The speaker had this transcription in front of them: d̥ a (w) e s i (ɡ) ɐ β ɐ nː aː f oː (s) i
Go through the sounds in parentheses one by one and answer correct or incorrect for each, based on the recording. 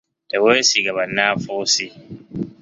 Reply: correct, correct, correct

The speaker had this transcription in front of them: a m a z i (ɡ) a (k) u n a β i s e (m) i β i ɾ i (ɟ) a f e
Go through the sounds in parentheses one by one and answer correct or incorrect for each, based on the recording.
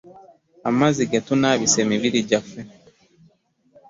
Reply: correct, incorrect: t, correct, correct

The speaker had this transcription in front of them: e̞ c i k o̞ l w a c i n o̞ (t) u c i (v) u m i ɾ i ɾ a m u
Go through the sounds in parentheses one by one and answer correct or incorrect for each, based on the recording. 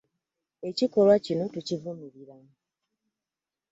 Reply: correct, correct

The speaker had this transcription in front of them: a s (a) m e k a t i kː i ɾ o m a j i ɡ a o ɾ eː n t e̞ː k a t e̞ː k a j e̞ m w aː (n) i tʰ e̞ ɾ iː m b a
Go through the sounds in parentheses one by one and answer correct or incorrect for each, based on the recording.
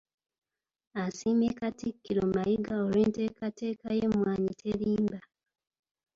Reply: incorrect: i, incorrect: ɲ

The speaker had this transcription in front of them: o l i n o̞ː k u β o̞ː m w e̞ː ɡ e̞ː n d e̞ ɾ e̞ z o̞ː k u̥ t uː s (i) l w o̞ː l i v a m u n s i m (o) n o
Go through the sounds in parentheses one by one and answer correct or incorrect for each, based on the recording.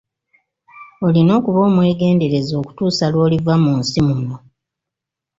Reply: incorrect: a, incorrect: u

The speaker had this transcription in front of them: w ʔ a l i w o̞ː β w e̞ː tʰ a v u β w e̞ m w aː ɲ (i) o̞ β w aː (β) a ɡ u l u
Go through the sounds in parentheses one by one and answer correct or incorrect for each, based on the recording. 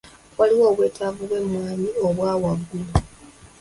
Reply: correct, incorrect: w

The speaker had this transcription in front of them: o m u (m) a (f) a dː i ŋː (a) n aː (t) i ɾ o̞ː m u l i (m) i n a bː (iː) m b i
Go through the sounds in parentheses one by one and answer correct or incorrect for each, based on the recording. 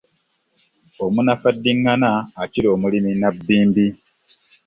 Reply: incorrect: n, correct, correct, incorrect: c, correct, correct

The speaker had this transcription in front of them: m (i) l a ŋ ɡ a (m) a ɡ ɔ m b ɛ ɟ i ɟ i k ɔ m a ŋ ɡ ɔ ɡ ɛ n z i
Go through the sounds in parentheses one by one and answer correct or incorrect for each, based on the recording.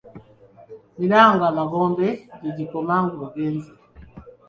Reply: correct, correct

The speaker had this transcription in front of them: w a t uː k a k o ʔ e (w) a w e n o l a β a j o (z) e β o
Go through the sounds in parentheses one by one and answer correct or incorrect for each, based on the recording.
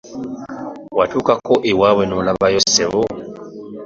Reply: correct, incorrect: s

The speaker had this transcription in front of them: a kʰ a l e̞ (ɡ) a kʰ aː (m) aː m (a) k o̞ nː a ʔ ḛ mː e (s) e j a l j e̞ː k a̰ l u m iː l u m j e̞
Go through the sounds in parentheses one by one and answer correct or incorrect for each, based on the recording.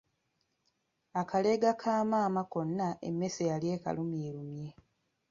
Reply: correct, correct, correct, correct

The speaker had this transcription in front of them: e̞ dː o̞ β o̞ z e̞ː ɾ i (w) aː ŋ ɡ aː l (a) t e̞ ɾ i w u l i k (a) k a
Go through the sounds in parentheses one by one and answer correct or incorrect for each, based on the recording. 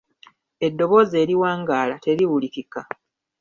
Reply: correct, correct, incorrect: i

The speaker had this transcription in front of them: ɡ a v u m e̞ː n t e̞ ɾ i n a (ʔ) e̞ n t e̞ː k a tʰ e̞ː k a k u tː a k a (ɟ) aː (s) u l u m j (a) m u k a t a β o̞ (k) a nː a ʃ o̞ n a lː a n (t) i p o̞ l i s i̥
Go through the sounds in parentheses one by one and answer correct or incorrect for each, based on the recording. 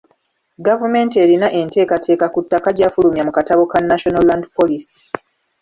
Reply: correct, correct, incorrect: f, correct, correct, incorrect: d

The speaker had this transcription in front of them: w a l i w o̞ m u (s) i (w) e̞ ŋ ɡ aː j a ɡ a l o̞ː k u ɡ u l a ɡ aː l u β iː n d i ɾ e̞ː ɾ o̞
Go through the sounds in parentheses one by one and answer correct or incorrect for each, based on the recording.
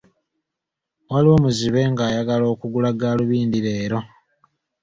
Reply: incorrect: z, incorrect: β

